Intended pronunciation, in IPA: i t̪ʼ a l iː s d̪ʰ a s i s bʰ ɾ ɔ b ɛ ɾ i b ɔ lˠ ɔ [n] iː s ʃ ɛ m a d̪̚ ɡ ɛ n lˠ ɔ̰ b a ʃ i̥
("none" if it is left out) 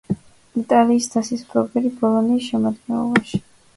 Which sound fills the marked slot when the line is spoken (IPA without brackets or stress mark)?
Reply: n